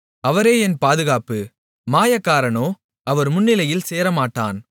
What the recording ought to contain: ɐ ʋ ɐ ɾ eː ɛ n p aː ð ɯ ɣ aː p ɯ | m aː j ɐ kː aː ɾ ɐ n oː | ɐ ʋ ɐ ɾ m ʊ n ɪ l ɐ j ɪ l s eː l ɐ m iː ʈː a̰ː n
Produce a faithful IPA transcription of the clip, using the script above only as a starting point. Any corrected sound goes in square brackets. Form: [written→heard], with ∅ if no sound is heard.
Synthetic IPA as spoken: ɐ ʋ ɐ ɾ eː ɛ n p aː ð ɯ ɣ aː p ɯ | m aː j ɐ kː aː ɾ ɐ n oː | ɐ ʋ ɐ ɾ m ʊ [n→nː] ɪ l ɐ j ɪ l s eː [l→ɾ] ɐ m [iː→aː] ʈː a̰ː n